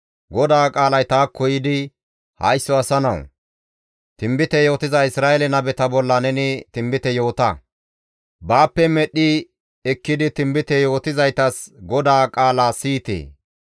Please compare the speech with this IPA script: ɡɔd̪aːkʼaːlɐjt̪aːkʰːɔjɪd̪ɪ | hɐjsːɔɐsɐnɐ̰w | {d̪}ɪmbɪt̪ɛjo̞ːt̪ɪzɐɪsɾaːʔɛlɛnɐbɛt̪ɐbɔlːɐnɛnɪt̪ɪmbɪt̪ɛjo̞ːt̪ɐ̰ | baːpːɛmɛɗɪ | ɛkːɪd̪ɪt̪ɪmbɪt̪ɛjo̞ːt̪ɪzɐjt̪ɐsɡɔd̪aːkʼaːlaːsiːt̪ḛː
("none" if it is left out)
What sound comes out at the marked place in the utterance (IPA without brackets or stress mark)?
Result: t̪